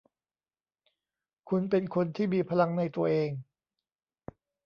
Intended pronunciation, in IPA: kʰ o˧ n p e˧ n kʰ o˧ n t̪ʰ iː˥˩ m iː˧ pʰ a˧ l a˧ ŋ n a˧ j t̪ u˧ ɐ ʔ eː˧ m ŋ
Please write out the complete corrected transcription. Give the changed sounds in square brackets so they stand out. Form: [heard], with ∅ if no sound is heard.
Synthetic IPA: kʰ [u˧] n p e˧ n kʰ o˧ n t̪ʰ iː˥˩ m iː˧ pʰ a˧ l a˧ ŋ n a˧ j t̪ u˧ ɐ ʔ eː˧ [∅] ŋ